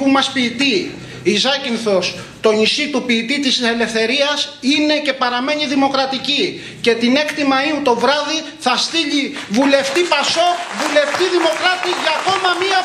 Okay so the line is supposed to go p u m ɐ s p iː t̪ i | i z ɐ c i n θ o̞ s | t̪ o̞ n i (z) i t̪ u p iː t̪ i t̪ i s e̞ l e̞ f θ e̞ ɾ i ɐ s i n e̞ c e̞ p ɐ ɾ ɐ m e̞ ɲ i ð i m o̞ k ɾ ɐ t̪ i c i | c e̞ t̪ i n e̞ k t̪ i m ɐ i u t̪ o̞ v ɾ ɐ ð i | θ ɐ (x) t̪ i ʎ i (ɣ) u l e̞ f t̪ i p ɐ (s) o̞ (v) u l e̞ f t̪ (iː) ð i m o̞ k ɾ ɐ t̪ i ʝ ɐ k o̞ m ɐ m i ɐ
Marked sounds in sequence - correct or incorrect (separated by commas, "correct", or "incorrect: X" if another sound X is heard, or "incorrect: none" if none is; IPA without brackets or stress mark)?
incorrect: s, incorrect: s, incorrect: v, correct, correct, incorrect: i